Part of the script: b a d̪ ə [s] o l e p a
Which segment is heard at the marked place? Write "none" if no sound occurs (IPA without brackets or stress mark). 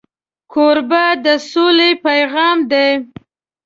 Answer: s